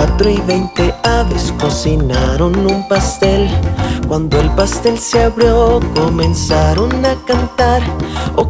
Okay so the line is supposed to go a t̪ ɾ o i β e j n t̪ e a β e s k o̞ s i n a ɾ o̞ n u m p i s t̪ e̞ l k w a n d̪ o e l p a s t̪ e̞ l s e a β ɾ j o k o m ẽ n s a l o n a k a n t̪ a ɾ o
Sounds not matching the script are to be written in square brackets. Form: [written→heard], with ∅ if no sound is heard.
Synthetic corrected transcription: a t̪ ɾ o i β e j n t̪ e a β e s k o̞ s i n a ɾ o̞ n u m p [i→a] s t̪ e̞ l k w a n d̪ o e l p a s t̪ e̞ l s e a β ɾ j o k o m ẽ n s a [l→ɾ] o n a k a n t̪ a ɾ o